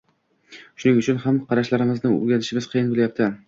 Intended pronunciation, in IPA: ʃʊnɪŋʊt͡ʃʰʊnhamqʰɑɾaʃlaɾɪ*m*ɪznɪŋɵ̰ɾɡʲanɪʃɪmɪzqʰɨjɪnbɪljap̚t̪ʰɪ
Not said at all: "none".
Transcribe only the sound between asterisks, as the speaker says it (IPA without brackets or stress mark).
m